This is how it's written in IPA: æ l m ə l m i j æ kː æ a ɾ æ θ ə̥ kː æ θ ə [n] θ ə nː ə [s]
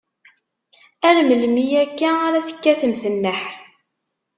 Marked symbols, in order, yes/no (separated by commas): no, no